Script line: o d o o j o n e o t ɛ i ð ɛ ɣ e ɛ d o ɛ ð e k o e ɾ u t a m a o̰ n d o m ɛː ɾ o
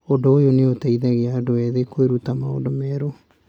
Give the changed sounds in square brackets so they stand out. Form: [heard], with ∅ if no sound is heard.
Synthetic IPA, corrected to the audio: o d o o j o n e o t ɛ i ð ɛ ɣ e [a] d o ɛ ð e k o e ɾ u t a m a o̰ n d o m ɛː ɾ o